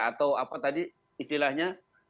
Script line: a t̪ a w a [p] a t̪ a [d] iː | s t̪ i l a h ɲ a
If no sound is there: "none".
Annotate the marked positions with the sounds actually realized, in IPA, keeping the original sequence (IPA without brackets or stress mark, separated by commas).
p, d